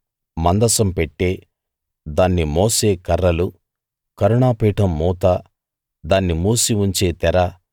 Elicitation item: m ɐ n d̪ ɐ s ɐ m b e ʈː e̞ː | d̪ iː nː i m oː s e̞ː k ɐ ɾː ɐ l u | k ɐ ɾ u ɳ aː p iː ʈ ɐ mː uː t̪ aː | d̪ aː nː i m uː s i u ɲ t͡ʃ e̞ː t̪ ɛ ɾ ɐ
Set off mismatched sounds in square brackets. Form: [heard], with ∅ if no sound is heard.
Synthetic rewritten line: m ɐ n d̪ ɐ s ɐ m [p] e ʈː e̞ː | d̪ [aː] nː i m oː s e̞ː k ɐ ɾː ɐ l u | k ɐ ɾ u ɳ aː p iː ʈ ɐ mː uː t̪ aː | d̪ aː nː i m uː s i u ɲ t͡ʃ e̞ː t̪ ɛ ɾ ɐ